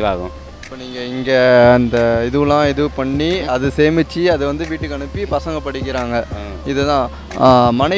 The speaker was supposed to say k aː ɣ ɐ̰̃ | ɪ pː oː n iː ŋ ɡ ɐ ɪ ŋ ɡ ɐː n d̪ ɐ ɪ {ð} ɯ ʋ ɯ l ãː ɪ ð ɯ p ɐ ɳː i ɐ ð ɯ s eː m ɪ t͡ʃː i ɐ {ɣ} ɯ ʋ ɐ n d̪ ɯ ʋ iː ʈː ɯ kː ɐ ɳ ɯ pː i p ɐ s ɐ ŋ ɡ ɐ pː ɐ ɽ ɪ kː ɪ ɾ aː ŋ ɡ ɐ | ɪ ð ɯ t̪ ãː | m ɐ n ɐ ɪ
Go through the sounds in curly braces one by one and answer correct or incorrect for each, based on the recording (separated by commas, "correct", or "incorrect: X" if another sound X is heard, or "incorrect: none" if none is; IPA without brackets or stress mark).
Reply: correct, incorrect: ð